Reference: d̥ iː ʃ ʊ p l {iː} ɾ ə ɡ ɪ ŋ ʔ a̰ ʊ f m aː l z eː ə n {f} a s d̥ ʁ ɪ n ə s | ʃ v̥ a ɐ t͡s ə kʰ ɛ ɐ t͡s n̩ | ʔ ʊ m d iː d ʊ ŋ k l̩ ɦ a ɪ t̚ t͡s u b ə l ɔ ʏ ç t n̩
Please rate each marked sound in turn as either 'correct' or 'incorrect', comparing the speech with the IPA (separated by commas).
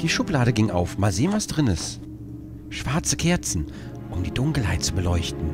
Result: incorrect, incorrect